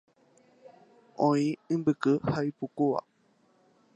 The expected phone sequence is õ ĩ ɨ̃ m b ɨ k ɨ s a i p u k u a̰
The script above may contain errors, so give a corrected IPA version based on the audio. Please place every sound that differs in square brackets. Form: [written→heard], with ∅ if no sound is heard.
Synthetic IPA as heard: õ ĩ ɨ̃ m b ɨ k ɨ [s→h] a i p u k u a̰